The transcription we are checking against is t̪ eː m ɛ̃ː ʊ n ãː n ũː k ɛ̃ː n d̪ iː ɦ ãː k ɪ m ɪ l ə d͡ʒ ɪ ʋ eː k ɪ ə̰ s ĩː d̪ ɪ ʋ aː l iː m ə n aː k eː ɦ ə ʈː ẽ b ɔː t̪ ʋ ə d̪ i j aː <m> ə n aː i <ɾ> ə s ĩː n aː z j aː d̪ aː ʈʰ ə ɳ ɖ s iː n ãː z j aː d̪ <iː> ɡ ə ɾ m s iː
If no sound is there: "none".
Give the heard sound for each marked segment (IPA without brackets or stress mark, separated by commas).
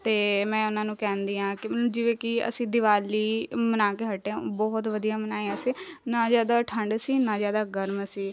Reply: m, none, aː